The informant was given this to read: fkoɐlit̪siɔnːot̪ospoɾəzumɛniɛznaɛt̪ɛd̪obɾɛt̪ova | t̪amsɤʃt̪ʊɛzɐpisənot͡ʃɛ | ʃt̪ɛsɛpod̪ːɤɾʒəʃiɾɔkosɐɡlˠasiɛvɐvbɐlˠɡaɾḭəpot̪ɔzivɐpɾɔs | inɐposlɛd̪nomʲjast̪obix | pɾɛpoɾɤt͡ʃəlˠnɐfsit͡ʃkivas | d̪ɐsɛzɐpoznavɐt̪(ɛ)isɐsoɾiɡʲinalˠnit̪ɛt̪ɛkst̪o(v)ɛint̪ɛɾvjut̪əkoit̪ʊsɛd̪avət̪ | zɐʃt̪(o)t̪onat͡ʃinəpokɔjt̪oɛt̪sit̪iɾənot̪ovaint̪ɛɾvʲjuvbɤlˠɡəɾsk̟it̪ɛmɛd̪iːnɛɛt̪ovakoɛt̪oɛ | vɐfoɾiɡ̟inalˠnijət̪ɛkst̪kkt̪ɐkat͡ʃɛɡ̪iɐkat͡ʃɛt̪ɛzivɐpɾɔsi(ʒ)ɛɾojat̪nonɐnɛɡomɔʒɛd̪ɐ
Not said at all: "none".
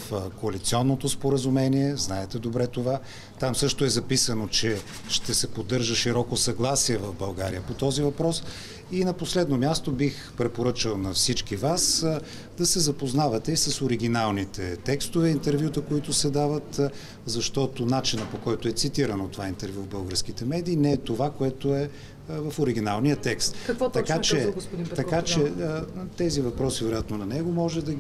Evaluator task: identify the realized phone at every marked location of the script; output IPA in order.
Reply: ɛ, v, ɔ, v

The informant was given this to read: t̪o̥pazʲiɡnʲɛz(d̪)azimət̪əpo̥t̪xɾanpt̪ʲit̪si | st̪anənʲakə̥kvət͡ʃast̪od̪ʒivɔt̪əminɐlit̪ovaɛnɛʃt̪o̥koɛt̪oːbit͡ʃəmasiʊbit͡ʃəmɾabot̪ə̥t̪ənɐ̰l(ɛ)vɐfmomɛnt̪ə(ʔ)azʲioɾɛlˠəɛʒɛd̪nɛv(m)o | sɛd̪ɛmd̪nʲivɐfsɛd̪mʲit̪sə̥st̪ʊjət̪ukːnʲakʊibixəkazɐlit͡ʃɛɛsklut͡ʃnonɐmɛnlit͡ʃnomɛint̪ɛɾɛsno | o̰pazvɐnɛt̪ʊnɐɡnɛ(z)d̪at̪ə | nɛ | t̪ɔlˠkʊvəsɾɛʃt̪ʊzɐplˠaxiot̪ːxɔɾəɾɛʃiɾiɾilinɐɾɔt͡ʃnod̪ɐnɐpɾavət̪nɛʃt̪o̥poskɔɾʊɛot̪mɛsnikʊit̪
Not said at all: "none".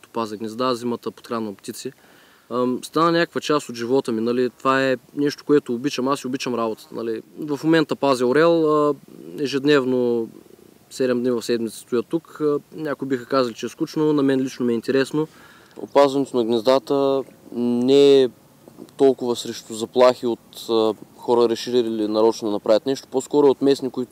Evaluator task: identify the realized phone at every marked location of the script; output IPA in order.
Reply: d̪, i, p, n, z

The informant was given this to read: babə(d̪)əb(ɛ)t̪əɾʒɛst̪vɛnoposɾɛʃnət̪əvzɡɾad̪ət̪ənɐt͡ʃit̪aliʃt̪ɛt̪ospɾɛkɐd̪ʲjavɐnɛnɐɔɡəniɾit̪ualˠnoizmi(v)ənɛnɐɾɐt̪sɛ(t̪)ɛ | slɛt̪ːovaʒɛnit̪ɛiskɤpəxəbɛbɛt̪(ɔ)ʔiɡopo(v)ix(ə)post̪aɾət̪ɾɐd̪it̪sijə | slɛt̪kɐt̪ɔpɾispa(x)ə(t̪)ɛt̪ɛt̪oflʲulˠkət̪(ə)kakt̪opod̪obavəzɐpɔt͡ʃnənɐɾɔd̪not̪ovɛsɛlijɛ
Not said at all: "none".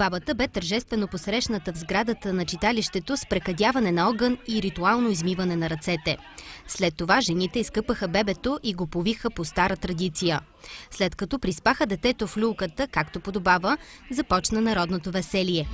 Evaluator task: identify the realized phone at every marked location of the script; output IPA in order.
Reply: t̪, ɛ, v, t̪, o, v, ə, x, d̪, ə

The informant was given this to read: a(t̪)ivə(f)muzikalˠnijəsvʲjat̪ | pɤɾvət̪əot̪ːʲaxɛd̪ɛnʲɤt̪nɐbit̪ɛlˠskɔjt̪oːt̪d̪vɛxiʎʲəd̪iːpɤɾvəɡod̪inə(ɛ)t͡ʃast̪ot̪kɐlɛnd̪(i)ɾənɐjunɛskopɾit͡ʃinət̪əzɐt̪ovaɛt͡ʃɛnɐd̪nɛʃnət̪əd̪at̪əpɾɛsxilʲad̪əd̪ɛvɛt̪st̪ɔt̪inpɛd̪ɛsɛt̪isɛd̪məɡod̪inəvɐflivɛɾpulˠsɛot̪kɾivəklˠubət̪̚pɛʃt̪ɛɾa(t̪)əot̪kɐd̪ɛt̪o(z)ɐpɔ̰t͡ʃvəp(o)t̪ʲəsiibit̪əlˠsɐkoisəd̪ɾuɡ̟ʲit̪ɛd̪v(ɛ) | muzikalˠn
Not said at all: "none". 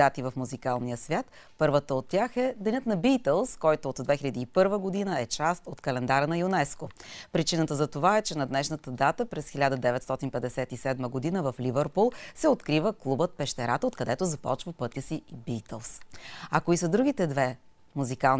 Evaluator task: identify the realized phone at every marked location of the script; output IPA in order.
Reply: t̪, f, ɛ, a, t̪, z, ɤ, ɛ

